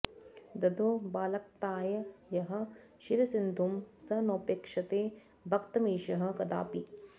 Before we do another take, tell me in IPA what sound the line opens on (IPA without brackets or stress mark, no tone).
d̪